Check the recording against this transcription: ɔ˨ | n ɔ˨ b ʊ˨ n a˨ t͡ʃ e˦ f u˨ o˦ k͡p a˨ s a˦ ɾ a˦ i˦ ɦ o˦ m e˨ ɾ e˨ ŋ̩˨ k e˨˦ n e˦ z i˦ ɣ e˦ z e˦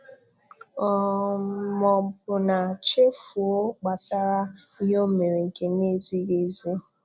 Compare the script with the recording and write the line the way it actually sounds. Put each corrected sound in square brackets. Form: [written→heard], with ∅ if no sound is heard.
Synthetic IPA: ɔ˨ | [n→m] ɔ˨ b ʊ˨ n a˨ t͡ʃ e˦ f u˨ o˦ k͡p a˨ s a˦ ɾ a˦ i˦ ɦ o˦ m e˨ ɾ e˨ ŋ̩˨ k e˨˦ n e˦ z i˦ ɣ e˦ z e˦